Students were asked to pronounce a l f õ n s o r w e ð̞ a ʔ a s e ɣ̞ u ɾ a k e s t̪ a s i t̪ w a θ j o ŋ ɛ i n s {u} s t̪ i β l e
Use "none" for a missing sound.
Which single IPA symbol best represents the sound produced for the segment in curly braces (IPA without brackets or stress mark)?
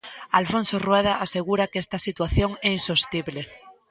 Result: o